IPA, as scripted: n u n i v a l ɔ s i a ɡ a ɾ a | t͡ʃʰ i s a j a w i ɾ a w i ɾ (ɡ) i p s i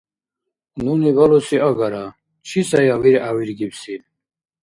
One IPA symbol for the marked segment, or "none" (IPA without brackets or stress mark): ɡ